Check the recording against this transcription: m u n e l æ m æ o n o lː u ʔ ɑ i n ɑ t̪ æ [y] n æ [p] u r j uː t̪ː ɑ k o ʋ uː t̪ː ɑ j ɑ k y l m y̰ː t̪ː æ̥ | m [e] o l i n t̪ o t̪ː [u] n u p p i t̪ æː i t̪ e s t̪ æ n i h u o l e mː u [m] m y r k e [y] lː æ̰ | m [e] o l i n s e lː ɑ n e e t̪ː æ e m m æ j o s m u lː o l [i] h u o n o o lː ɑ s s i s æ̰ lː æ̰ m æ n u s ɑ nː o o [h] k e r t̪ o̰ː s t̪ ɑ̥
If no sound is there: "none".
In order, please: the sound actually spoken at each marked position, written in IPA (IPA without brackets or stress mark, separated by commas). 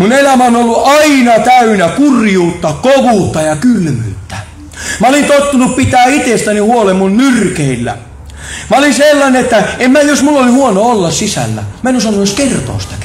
y, k, æ, u, n, i, æ, i, s